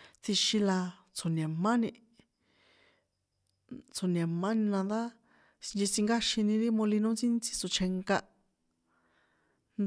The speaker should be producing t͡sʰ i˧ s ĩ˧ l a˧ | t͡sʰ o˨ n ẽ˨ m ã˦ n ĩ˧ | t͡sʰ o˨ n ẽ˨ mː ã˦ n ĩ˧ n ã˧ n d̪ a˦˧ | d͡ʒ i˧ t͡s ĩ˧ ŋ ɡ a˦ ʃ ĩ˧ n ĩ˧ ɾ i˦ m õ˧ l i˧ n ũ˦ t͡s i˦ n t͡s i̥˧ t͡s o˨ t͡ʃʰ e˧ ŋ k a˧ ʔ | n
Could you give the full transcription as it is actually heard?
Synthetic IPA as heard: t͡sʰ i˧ ʃ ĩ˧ l a˧ | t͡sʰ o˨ n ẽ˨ m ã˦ n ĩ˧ | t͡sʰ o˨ n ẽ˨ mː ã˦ n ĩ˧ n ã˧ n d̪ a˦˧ | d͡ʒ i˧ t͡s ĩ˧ ŋ ɡ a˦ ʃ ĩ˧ n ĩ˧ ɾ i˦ m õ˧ l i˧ n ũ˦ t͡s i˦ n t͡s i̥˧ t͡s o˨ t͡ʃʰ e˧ ŋ k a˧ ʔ | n